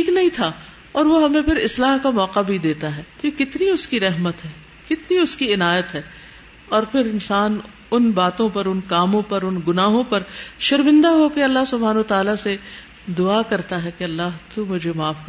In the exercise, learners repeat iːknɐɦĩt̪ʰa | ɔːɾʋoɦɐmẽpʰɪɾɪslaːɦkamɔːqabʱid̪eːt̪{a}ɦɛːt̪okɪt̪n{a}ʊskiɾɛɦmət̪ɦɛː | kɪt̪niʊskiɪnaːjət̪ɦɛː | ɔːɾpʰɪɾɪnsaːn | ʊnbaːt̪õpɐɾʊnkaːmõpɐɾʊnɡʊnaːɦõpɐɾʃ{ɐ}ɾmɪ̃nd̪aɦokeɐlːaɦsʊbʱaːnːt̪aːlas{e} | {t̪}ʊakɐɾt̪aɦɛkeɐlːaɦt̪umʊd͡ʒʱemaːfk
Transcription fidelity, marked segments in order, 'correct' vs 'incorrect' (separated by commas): correct, incorrect, correct, correct, incorrect